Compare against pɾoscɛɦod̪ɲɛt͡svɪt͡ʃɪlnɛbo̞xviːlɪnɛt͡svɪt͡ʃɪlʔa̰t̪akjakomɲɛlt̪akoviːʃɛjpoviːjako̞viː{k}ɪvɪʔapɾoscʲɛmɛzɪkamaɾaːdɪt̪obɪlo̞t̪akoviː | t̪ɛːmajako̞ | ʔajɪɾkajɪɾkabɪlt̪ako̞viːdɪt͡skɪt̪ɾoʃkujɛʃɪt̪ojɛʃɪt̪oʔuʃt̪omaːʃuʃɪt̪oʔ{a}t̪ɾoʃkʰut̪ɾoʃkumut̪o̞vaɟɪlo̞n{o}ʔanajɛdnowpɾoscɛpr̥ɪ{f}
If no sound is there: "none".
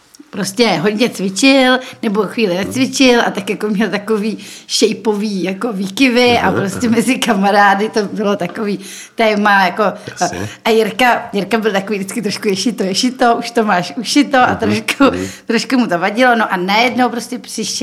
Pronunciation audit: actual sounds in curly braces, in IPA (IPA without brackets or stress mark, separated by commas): k, a, o, ʃ